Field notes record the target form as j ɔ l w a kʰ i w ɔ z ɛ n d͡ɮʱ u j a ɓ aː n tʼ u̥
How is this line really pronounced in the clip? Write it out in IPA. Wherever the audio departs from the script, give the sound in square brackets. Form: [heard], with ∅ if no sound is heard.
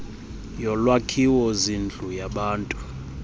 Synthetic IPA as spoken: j ɔ l w a kʰ i w ɔ z [i] n d͡ɮʱ u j a ɓ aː n tʼ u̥